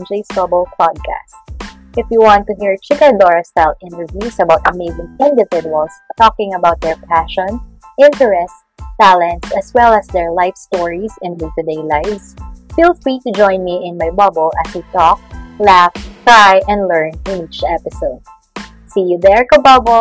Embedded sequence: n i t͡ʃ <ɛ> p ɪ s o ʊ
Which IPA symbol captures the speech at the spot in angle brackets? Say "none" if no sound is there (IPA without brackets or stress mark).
ɛ